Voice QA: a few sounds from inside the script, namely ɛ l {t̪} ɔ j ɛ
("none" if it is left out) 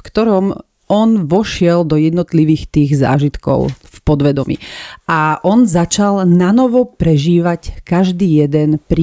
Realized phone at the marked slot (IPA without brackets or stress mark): d̪